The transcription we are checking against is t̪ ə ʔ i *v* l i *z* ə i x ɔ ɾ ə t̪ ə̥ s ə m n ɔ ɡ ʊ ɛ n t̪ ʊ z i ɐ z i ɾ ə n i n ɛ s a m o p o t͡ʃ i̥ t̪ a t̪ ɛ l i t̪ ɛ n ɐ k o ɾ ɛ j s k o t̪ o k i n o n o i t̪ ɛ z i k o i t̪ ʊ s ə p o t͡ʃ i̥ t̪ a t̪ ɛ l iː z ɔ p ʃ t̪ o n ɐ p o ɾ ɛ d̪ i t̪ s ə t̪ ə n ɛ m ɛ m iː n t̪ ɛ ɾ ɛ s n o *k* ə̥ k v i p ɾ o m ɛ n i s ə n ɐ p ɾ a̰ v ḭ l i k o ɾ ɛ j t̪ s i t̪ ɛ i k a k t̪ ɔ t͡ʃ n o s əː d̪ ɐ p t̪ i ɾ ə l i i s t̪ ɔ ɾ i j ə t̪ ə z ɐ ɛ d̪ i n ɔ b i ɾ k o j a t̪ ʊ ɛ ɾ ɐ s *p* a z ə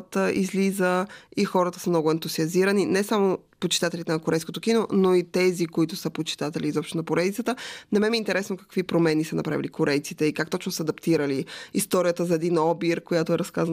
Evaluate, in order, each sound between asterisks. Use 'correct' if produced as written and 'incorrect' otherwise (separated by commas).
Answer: incorrect, correct, correct, incorrect